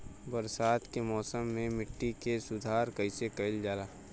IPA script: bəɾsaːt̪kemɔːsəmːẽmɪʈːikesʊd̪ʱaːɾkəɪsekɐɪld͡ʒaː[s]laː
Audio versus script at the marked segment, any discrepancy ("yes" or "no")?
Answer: yes